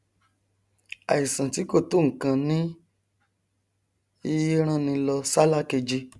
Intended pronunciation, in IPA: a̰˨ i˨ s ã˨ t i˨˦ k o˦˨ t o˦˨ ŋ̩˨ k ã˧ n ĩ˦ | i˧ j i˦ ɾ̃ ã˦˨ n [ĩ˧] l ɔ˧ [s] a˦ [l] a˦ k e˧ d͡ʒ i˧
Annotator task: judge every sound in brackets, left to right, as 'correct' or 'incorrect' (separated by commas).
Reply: correct, correct, correct